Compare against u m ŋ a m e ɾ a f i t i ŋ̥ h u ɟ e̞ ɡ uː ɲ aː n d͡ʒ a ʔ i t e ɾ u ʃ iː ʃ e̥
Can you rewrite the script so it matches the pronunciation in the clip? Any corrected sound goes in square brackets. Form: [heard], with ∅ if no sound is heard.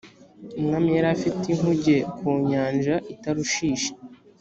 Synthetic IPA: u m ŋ a m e ɾ a f i t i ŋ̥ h u ɟ e̞ [k] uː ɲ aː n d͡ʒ a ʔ i t [a] ɾ u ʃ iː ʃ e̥

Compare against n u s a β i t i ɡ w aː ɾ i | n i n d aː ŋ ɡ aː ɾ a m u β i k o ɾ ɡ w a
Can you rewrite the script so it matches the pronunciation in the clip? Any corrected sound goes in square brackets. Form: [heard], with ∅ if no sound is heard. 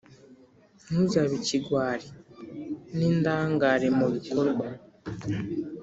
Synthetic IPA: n u [z] a β i [c] i ɡ w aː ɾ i | n i n d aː ŋ ɡ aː ɾ [e] m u β i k o ɾ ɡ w a

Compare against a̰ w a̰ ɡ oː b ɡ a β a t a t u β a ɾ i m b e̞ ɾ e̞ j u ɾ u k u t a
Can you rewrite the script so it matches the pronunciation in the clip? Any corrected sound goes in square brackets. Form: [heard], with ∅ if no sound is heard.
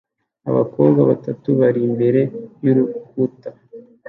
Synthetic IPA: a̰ [β] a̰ [k] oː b ɡ a β a t a t u β a ɾ i m b e̞ ɾ e̞ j u ɾ u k u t a

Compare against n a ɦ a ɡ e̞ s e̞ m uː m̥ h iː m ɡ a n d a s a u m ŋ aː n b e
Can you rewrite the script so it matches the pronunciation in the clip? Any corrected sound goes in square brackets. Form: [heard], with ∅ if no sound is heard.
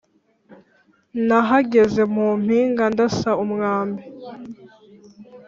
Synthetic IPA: n a ɦ a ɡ e̞ [z] e̞ m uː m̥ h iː [ŋ] ɡ a n d a s a u m ŋ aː [m] b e

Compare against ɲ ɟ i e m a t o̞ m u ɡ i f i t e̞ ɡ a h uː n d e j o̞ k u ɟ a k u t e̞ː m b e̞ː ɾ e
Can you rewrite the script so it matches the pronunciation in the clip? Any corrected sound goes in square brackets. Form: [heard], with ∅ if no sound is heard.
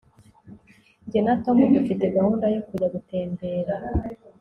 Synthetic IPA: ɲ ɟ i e [n] a t o̞ m u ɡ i f i t e̞ ɡ a h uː n d [a] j o̞ k u ɟ a [ɡ] u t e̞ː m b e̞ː ɾ [a]

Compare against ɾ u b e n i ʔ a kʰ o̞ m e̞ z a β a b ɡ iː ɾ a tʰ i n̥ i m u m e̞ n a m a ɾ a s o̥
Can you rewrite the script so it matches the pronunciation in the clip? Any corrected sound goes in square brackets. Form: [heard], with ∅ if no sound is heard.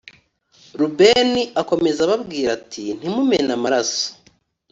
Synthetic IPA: ɾ u b e n i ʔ a [k] o̞ m e̞ z a β a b ɡ iː ɾ a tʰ i n̥ i m u m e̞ n a m a ɾ a s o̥

